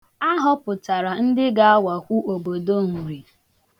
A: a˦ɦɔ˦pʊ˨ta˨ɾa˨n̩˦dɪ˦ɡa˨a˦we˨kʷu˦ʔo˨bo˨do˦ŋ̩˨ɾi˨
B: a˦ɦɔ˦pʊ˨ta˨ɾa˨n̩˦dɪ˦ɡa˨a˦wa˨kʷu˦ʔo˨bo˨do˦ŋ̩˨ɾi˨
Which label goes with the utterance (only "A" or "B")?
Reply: B